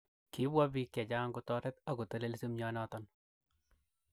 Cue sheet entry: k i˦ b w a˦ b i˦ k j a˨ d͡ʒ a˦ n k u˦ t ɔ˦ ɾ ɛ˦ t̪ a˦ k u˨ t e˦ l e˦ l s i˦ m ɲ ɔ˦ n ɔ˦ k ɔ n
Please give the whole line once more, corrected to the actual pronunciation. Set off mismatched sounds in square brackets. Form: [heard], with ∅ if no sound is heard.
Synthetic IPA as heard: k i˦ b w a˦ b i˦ k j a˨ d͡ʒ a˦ [ŋ] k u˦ t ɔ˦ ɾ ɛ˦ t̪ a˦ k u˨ t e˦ l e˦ l s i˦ m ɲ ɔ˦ n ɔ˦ [t] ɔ n

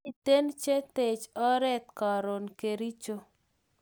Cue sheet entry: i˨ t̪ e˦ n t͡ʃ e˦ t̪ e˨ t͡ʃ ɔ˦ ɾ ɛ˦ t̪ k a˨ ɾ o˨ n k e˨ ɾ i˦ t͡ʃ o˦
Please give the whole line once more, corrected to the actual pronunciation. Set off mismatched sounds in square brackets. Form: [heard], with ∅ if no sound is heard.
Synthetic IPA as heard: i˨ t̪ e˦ n t͡ʃ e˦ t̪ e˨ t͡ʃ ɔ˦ ɾ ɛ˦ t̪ k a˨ ɾ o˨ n k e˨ ɾ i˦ t͡ʃ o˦

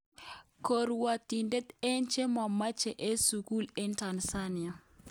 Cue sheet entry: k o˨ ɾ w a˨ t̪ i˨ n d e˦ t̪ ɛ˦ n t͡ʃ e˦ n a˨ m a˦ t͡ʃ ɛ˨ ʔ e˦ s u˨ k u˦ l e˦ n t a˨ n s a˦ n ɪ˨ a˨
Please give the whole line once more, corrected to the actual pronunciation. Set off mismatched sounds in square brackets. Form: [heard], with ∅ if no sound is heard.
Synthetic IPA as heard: k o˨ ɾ w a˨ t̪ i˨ n d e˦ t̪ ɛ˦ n t͡ʃ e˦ [m] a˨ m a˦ t͡ʃ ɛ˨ ʔ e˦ s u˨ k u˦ l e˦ n t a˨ n s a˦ n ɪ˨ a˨

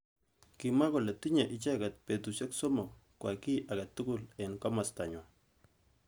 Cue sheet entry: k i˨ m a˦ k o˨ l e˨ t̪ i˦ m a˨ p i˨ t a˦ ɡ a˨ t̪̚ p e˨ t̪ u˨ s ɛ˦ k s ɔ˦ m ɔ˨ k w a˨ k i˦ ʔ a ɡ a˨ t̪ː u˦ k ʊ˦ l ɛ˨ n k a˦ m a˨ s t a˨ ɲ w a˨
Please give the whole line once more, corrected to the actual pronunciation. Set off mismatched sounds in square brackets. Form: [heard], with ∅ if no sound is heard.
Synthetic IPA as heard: k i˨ m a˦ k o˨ l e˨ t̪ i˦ [ɲ] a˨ [ʔ] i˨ [t͡ʃ] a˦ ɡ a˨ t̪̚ p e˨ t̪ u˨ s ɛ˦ k s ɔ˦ m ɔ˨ k w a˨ k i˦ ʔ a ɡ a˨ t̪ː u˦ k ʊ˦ l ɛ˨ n k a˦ m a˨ s t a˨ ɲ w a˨

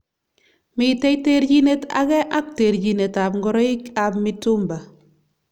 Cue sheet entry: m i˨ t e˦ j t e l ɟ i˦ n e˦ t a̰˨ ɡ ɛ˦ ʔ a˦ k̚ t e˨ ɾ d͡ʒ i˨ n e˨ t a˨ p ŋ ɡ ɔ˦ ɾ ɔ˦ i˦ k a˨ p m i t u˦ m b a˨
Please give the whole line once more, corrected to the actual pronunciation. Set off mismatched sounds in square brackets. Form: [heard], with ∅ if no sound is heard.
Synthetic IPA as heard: m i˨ t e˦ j t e [ɾ] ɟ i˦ n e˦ t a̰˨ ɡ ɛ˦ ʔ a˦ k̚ t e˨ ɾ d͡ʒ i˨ n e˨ t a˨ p ŋ ɡ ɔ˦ ɾ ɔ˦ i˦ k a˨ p m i t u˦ m b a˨

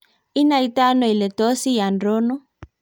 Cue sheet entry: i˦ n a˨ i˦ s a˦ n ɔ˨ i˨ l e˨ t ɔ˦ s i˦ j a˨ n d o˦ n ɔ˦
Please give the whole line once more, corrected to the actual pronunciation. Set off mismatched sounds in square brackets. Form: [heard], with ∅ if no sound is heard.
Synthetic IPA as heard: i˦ n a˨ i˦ [t] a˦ n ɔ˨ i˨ l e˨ t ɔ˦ s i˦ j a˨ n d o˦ n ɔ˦

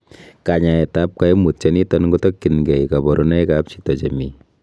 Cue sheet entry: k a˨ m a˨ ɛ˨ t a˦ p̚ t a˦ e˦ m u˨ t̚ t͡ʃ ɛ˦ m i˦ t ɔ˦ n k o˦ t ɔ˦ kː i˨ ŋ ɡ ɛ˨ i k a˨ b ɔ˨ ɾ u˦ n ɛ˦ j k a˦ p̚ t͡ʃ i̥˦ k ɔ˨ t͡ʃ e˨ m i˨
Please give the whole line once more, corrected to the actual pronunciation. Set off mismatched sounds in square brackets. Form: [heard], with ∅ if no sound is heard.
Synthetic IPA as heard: k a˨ [ɲ] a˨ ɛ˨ t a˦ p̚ [k] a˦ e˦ m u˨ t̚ t͡ʃ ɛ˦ [n] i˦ t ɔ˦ n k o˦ t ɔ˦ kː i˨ [n] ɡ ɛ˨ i k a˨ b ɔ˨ ɾ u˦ n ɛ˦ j k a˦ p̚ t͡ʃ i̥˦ [t] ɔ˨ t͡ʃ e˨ m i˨

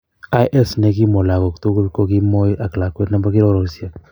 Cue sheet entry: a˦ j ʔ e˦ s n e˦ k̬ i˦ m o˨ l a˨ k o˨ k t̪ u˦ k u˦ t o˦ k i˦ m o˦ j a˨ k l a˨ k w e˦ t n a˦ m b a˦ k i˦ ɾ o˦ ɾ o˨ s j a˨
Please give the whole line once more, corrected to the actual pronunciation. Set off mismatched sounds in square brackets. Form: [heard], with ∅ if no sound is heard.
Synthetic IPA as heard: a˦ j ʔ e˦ s n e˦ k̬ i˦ m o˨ l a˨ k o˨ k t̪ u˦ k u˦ [k] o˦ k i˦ m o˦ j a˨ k l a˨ k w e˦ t n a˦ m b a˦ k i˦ ɾ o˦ ɾ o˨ s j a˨

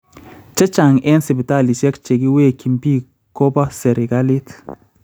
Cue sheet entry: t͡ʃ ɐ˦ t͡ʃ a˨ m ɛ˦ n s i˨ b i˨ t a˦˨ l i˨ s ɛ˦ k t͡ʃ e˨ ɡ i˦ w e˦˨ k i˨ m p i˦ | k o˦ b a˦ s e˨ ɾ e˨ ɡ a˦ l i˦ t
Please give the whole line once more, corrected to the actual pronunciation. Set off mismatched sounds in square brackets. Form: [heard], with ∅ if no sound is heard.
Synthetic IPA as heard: t͡ʃ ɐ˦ t͡ʃ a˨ [ŋ] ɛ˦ n s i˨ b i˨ t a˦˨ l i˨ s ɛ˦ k t͡ʃ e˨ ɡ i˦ w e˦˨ k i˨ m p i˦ | k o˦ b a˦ s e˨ ɾ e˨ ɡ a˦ l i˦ t

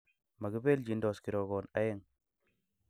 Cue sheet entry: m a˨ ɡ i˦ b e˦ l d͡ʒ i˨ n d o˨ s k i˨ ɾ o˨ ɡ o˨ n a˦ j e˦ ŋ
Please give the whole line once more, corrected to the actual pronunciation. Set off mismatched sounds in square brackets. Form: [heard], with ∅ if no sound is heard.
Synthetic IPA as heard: m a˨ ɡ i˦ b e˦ l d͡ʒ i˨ n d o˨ s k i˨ ɾ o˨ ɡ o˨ n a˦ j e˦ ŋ

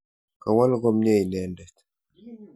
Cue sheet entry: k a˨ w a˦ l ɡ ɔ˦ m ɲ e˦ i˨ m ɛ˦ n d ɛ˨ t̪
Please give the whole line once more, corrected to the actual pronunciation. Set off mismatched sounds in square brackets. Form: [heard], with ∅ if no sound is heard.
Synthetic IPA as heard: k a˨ w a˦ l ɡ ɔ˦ m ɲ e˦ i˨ [n] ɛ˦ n d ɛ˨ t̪

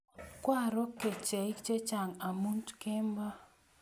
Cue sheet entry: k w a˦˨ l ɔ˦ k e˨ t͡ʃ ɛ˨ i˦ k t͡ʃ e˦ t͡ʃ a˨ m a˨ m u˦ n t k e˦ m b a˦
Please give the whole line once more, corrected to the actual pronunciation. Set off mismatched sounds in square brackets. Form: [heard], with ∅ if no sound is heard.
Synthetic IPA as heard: k w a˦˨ [ɾ] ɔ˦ k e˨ t͡ʃ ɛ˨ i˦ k t͡ʃ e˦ t͡ʃ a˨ [ŋ] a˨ m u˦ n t k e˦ m b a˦

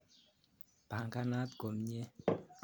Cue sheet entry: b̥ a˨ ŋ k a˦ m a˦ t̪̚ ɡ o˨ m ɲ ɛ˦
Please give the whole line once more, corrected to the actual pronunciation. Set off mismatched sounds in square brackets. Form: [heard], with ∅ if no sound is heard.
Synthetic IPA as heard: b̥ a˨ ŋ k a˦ [n] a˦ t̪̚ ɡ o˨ m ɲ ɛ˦

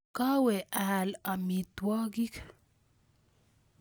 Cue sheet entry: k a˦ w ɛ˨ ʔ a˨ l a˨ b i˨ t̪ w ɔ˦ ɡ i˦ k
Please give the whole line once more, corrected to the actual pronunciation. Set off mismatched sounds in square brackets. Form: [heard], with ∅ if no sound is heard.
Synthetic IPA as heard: k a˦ w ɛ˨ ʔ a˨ l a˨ [m] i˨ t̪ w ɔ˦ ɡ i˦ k

